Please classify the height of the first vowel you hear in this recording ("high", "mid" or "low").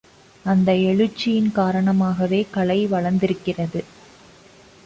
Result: low